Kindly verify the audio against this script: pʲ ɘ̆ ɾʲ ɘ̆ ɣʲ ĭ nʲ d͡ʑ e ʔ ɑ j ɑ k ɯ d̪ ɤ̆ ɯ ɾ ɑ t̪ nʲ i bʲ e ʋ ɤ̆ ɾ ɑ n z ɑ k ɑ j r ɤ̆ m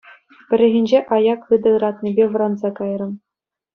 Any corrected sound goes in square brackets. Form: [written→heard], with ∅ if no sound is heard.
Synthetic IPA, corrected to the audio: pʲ ɘ̆ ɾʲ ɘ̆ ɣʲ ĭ nʲ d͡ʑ e ʔ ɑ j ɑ k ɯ d̪ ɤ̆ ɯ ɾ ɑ t̪ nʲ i bʲ e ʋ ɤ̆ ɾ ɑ n z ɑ k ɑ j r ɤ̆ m